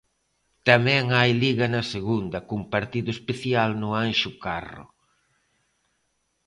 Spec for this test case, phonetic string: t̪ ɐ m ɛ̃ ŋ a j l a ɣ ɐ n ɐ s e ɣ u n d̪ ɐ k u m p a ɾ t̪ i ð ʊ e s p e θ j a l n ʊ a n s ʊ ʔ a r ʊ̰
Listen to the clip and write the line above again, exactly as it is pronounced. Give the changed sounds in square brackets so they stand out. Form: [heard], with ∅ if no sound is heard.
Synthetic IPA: t̪ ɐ m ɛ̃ ŋ a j l [i] ɣ ɐ n ɐ s e ɣ u n d̪ ɐ k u m p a ɾ t̪ i ð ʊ e s p e θ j a l n ʊ a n [ʃ] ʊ [k] a r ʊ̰